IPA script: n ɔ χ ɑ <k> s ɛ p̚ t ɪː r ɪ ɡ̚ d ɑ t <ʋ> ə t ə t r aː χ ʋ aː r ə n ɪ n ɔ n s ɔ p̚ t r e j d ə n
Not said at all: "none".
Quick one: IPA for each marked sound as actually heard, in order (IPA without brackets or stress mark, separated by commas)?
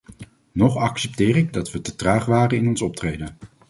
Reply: k, ʋ